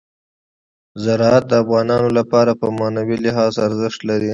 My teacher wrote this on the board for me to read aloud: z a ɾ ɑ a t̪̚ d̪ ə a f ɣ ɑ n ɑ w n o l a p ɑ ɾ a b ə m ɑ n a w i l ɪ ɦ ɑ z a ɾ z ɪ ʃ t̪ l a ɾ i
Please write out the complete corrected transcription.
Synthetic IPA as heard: z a ɾ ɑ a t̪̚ d̪ ə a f ɣ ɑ n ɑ n o l a p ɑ ɾ a p ə m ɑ n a w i l ɪ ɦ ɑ z a ɾ z ɪ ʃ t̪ l a ɾ i